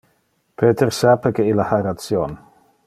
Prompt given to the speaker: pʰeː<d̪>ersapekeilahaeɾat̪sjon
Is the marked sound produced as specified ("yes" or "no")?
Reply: no